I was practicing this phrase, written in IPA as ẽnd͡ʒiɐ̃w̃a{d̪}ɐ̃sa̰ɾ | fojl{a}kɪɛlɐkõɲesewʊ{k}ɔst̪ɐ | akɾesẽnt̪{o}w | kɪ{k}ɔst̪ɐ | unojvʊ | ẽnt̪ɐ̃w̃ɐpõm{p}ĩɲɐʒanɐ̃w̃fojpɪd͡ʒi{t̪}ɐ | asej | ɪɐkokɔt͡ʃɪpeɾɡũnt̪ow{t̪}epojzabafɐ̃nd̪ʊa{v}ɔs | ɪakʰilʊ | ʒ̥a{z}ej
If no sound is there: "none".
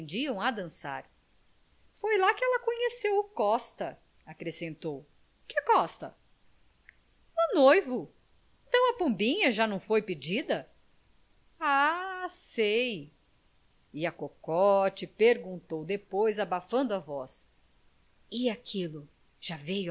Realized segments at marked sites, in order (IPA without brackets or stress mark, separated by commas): d̪, a, k, o, k, b, d̪, d̪, v, v